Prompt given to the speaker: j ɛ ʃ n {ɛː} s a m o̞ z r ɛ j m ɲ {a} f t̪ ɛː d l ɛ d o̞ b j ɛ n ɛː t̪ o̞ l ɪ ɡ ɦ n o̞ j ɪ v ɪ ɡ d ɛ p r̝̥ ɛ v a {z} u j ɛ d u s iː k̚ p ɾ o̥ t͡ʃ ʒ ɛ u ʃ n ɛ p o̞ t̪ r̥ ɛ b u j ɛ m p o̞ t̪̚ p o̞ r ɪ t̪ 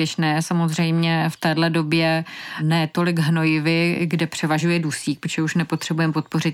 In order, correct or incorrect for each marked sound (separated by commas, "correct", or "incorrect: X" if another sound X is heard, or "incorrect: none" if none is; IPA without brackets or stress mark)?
correct, incorrect: ɛ, incorrect: ʒ